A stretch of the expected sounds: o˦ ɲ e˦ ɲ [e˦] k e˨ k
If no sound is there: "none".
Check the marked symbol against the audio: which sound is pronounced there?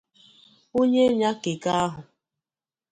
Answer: a˦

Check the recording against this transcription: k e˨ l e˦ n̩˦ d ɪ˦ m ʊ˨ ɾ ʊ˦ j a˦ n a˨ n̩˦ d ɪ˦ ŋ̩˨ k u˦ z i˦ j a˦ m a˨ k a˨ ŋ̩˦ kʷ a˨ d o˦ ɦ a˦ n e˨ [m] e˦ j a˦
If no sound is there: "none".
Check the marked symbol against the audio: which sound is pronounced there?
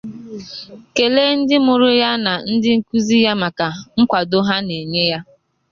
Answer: ɲ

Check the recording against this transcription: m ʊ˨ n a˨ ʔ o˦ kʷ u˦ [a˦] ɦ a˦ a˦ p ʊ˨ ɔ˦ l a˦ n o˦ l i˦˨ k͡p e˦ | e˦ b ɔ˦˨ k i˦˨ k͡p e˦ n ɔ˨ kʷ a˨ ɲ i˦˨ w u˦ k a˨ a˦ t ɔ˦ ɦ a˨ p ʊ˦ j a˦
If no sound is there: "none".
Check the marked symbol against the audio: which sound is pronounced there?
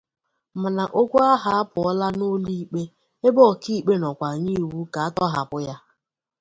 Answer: a˦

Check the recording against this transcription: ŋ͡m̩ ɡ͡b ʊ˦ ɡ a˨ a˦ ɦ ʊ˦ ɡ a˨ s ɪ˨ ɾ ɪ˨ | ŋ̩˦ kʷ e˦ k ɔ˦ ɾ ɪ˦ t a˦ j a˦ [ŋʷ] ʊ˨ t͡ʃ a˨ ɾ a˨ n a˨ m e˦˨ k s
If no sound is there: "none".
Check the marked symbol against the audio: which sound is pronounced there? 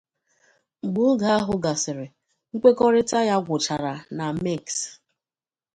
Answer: ɡʷ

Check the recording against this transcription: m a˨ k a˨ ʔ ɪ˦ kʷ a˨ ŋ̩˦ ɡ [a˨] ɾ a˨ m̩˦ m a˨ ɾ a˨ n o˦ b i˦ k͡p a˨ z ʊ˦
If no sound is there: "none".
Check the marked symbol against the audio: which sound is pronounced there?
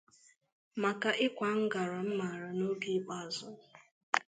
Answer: a˨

